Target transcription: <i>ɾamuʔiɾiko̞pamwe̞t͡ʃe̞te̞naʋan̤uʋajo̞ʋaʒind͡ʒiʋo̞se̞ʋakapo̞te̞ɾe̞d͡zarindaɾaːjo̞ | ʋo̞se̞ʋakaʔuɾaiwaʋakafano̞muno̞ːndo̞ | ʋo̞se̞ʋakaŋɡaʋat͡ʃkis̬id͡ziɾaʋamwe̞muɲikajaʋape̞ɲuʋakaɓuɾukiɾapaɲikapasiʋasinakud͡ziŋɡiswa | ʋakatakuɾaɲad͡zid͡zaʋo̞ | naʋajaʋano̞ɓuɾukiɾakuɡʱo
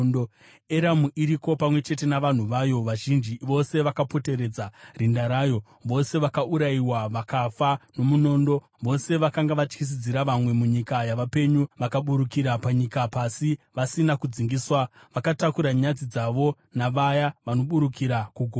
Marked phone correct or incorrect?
incorrect: e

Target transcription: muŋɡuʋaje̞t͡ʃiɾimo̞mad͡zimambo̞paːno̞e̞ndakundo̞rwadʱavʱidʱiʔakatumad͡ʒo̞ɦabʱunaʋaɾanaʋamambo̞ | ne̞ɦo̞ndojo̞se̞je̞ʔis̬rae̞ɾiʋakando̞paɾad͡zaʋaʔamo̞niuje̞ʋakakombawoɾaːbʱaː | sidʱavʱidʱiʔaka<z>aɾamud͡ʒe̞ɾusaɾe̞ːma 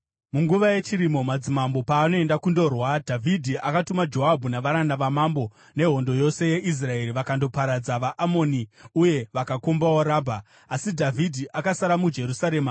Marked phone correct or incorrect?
incorrect: s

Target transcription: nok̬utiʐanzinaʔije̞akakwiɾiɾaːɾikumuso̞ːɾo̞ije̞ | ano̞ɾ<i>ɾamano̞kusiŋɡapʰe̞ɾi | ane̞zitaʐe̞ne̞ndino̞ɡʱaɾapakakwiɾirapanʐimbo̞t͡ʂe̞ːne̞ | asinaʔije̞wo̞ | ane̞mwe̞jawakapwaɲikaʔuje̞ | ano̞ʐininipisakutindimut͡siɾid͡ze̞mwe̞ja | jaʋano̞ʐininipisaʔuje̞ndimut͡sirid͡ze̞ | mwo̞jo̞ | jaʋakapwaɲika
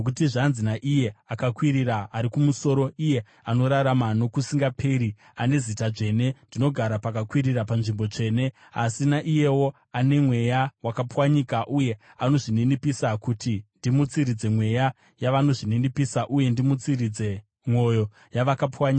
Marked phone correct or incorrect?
incorrect: a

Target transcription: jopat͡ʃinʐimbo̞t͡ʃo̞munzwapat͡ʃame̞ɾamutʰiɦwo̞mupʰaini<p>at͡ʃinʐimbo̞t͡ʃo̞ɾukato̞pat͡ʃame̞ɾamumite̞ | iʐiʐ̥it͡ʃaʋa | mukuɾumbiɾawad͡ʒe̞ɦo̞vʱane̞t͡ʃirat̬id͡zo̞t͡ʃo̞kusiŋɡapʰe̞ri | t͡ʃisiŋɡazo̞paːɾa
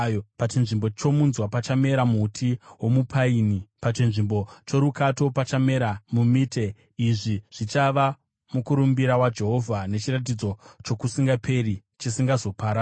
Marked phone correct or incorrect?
correct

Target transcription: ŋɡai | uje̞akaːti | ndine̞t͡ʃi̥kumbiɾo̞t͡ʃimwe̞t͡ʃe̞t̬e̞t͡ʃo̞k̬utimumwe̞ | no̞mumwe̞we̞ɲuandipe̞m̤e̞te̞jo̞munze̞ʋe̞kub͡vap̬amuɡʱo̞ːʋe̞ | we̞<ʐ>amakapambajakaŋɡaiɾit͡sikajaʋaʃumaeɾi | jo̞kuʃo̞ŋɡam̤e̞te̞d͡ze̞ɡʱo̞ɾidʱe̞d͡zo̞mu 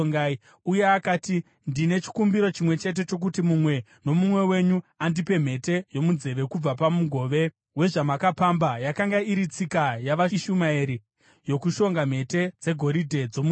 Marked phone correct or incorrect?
correct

